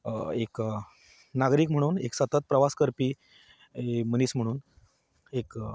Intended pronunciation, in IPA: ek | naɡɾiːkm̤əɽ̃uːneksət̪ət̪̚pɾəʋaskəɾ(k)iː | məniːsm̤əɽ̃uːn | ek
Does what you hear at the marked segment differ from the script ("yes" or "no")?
yes